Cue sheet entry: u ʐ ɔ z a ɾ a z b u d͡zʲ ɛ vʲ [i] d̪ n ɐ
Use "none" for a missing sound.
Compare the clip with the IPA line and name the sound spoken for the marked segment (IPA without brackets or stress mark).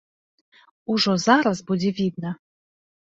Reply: i